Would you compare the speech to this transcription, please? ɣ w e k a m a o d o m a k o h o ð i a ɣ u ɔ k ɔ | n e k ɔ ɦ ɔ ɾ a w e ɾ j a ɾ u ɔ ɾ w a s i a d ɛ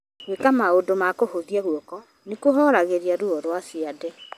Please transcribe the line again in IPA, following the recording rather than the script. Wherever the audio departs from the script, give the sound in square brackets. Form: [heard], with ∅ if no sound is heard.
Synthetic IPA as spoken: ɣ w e k a m a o d o m a k o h o ð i a ɣ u ɔ k ɔ | n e k [o] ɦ ɔ ɾ a [ɣ] e ɾ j a ɾ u ɔ ɾ w a s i a d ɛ